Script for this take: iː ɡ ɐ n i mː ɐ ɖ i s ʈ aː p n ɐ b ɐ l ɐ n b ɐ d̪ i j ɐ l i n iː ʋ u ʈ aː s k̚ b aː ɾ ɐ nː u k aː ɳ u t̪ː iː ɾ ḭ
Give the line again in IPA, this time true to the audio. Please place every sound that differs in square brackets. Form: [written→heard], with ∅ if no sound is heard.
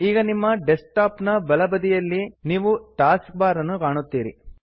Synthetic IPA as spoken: iː ɡ ɐ n i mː ɐ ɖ [i→e] s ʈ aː p n ɐ b ɐ l ɐ [n→∅] b ɐ d̪ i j ɐ [l→lː] i n iː ʋ u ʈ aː s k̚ b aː ɾ ɐ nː u k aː ɳ u t̪ː iː ɾ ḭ